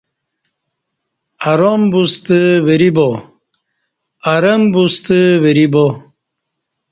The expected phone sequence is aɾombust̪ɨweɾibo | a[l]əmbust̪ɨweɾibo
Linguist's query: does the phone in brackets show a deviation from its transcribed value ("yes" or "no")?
yes